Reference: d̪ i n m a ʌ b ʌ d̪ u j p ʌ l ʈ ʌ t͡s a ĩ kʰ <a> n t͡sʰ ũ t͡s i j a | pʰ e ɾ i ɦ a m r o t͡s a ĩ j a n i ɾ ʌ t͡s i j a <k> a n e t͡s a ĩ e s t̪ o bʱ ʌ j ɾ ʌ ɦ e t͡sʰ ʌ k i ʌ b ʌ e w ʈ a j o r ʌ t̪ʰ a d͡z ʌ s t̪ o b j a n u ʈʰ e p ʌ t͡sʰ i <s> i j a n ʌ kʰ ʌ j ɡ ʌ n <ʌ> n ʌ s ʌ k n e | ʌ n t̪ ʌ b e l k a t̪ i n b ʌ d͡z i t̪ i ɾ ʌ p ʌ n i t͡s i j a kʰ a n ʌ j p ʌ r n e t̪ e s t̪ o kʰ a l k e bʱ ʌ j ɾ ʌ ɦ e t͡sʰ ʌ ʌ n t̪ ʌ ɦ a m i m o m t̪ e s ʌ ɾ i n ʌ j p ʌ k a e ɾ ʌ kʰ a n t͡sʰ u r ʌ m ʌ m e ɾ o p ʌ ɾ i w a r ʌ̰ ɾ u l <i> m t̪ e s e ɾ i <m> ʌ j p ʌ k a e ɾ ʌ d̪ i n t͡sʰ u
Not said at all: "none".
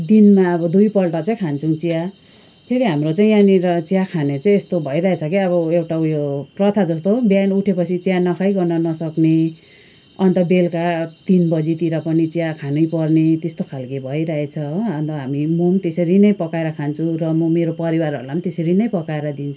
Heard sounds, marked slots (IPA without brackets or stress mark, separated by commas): a, kʰ, t͡s, ʌ, a, n